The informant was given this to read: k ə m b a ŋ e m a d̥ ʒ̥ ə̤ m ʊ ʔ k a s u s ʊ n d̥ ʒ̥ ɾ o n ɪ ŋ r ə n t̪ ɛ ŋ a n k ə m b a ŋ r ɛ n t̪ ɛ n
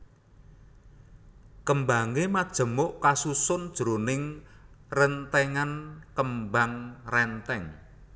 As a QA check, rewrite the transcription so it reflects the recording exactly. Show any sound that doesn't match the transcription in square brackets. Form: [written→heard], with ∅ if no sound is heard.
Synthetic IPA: k ə m b a ŋ e m a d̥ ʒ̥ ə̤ m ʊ ʔ k a s u s ʊ n d̥ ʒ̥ ɾ o n ɪ ŋ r ə n t̪ ɛ ŋ a n k ə m b a ŋ r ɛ n t̪ ɛ [n→ŋ]